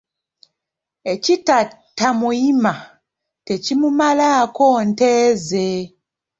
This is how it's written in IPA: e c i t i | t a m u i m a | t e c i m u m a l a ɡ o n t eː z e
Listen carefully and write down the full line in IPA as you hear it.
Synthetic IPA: e c i t a | t a m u i m a | t e c i m u m a l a k o n t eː z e